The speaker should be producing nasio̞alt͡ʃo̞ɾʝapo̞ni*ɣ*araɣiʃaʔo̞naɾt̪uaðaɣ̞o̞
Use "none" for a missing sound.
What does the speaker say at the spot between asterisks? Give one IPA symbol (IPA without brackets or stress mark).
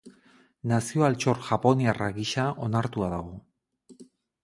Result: none